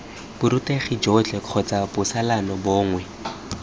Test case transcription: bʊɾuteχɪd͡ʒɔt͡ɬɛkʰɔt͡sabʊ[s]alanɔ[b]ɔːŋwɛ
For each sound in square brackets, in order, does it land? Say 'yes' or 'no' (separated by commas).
yes, yes